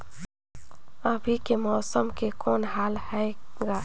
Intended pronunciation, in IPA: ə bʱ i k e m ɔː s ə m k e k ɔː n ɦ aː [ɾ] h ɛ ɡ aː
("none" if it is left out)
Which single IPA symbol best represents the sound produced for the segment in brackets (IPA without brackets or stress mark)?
l